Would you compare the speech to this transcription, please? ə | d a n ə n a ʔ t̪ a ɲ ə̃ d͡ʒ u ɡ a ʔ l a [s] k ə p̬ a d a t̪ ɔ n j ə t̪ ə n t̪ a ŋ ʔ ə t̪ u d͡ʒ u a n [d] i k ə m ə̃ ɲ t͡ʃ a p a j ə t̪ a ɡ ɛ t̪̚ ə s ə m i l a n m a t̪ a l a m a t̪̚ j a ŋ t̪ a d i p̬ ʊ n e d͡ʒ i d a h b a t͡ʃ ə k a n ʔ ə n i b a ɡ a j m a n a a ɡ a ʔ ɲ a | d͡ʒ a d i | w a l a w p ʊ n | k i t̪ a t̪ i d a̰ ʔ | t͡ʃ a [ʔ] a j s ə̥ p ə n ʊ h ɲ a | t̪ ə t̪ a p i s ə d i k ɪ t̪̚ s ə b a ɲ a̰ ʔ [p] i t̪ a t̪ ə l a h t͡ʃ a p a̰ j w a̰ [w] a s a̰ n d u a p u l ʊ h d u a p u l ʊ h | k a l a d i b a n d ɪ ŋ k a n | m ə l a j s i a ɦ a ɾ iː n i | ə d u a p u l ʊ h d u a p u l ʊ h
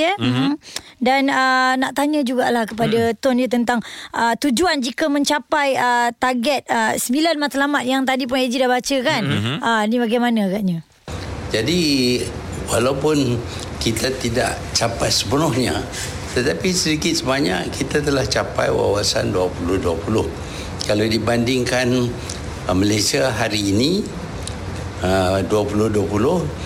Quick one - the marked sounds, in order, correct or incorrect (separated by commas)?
incorrect, incorrect, incorrect, incorrect, correct